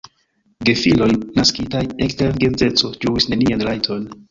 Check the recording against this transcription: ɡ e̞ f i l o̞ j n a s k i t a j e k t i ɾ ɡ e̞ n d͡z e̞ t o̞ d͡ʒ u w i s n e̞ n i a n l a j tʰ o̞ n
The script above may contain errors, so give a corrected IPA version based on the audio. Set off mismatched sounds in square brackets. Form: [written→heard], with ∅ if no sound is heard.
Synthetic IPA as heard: ɡ e̞ f i l o̞ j n a s k i t a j e k t [i→e] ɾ ɡ e̞ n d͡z e̞ [t→t͡s] o̞ d͡ʒ u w i s n e̞ n i a n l a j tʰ o̞ n